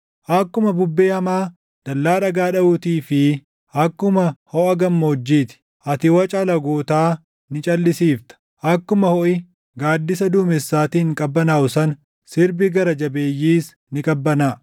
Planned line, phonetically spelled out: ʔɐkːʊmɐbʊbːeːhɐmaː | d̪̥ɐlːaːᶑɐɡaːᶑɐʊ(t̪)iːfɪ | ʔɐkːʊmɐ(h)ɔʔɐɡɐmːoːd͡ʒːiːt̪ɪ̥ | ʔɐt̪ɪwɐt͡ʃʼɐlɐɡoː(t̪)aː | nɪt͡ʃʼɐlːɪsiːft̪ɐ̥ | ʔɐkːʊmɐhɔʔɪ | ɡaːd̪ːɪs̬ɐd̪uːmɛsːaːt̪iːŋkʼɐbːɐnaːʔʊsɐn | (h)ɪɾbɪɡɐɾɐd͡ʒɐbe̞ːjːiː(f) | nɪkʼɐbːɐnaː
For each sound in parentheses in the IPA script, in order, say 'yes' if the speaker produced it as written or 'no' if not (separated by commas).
yes, yes, yes, no, no